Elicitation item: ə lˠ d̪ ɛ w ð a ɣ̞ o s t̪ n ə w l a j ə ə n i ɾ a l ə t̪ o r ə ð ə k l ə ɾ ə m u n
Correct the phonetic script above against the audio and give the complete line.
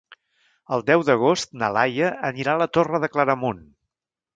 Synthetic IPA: ə lˠ d̪ ɛ w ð ə ɣ̞ o s t̪ n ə l a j ə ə n i ɾ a l ə t̪ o r ə ð ə k l ə ɾ ə m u n

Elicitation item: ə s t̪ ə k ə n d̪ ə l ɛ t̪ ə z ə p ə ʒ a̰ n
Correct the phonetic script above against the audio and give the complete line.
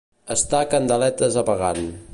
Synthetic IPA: ə s t̪ a k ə n d̪ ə l ɛ t̪ ə z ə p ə ɣ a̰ n

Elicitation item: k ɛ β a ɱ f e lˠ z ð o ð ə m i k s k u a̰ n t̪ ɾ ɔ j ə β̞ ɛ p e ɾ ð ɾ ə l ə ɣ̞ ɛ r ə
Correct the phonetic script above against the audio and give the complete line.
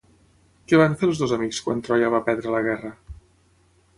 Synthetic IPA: k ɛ β a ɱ f e lˠ z ð o z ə m i k s k w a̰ n t̪ ɾ ɔ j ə β̞ a p ɛ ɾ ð ɾ ə l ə ɣ̞ ɛ r ə

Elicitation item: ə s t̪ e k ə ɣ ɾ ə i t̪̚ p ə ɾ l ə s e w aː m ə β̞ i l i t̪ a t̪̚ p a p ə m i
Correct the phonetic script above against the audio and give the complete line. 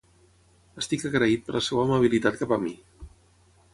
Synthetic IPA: ə s t̪ i k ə ɣ ɾ ə i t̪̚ p ə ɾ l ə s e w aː m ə β̞ i l i t̪ a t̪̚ k a p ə m i

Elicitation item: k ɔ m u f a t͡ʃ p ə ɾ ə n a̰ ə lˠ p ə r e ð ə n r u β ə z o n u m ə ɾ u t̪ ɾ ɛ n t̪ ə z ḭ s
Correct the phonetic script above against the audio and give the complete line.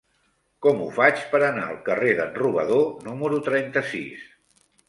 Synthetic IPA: k ɔ m u f a t͡ʃ p ə ɾ ə n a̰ ə lˠ k ə r e ð ə n r u β ə ð o n u m ə ɾ u t̪ ɾ ɛ n t̪ ə s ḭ s

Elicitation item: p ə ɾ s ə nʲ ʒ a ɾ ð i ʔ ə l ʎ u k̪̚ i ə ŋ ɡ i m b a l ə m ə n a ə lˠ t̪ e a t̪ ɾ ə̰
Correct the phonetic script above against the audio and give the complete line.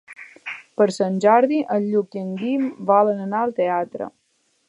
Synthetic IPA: p ə ɾ s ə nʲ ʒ a ɾ ð i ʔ ə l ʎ u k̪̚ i ə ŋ ɡ i m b a l ə n ə n a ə lˠ t̪ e a t̪ ɾ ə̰

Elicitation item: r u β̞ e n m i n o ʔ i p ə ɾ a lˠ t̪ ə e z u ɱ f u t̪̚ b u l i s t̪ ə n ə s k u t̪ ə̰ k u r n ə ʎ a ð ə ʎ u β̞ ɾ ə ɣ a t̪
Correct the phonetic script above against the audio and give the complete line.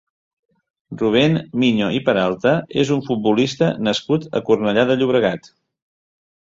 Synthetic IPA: r u β̞ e n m i ɲ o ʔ i p ə ɾ a lˠ t̪ ə e z u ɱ f u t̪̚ b u l i s t̪ ə n ə s k u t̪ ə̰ k u r n ə ʎ a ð ə ʎ u β̞ ɾ ə ɣ a t̪

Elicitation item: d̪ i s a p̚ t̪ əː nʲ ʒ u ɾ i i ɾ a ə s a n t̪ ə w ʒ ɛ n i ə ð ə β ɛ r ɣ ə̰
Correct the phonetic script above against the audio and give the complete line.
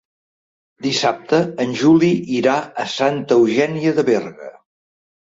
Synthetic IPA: d̪ i s a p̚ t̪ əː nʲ ʒ u l i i ɾ a ə s a n t̪ ə w ʒ ɛ n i ə ð ə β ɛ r ɣ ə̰

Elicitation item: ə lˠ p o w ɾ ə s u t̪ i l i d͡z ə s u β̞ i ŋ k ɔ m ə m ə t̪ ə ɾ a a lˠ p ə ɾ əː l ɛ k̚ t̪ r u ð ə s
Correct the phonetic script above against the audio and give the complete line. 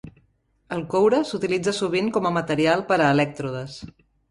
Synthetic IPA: ə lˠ k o w ɾ ə s u t̪ i l i d͡z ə s u β̞ i ŋ k ɔ m ə m ə t̪ ə ɾ i a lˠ p ə ɾ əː l ɛ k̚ t̪ ɾ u ð ə s

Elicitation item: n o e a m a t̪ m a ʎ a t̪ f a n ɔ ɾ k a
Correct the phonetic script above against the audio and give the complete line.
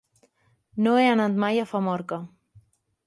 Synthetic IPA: n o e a n a t̪ m a j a f a m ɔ ɾ k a

